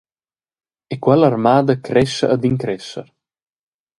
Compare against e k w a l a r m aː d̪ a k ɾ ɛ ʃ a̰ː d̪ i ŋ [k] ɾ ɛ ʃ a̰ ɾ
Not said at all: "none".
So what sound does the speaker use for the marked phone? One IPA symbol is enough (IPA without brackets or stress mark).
k